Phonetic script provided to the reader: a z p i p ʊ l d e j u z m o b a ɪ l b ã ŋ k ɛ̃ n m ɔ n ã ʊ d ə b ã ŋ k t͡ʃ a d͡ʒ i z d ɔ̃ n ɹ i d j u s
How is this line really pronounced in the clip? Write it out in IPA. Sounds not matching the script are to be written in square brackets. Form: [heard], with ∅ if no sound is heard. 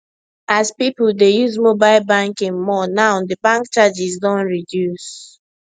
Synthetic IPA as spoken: a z p i p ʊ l d e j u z m o b a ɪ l b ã ŋ k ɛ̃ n m ɔ n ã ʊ d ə b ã ŋ k t͡ʃ a d͡ʒ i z d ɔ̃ n ɹ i d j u s